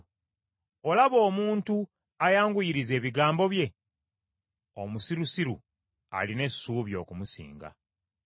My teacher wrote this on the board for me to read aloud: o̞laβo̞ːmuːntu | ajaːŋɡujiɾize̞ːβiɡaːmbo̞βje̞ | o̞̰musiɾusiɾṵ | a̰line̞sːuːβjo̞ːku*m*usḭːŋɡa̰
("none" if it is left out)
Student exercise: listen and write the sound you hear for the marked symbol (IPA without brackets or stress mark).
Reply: m